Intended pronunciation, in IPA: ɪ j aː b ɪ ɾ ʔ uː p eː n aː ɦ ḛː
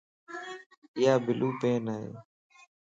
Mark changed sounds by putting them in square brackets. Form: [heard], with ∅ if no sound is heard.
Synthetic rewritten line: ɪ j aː b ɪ [l] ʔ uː p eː n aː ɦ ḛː